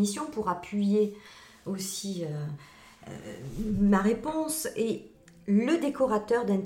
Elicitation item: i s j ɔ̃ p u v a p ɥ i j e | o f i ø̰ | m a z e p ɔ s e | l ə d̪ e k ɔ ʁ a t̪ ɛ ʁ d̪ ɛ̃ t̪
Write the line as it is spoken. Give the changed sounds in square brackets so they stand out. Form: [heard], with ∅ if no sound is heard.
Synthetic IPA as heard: i s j ɔ̃ p u [ʁ] a p ɥ i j e | o [s] i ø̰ | m a [ʁ] e p [ɔ̃] s e | l ə d̪ e k ɔ ʁ a t̪ [œ] ʁ d̪ ɛ̃ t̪